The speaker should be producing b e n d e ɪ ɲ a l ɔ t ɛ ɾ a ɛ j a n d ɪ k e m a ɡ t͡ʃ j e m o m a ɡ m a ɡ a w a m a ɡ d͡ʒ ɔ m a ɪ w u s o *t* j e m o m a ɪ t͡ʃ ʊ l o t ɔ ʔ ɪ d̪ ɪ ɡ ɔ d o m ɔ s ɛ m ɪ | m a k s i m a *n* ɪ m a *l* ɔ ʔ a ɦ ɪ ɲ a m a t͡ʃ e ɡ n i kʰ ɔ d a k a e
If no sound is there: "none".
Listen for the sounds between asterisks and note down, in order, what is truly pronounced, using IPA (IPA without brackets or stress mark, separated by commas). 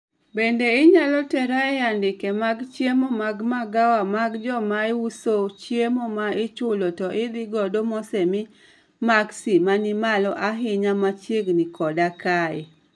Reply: t͡ʃ, n, l